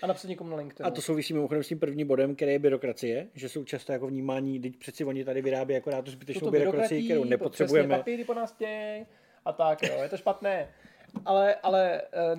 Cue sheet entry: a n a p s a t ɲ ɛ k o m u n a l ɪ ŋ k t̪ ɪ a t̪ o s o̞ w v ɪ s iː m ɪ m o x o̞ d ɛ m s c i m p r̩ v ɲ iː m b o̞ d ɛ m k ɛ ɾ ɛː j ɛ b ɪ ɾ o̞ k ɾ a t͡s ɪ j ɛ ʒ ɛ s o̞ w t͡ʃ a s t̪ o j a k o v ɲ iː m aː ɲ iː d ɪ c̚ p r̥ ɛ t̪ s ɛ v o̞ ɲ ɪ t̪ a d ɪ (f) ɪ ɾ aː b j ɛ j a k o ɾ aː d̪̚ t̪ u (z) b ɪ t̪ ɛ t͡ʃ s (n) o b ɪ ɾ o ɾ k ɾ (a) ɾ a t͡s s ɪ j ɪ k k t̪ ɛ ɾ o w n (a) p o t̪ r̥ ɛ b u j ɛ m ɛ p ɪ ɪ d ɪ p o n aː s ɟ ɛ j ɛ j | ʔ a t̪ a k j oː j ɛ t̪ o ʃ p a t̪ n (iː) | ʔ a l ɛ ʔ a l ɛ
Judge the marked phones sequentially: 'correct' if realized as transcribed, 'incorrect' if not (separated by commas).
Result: incorrect, correct, correct, correct, incorrect, incorrect